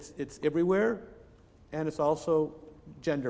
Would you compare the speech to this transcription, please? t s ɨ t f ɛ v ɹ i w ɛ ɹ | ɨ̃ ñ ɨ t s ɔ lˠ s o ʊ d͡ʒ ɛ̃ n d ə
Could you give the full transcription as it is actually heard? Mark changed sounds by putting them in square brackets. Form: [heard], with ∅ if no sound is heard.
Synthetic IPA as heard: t s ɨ t [s] ɛ v ɹ i w ɛ ɹ | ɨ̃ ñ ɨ t s ɔ lˠ s o ʊ d͡ʒ ɛ̃ n d ə